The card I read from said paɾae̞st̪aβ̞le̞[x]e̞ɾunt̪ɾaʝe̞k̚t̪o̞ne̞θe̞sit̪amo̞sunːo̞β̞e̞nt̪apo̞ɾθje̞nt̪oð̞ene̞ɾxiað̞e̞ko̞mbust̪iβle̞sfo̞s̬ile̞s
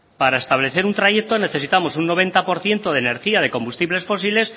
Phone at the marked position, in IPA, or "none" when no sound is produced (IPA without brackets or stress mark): θ